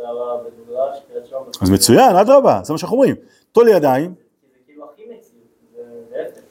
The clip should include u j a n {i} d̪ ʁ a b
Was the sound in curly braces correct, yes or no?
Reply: no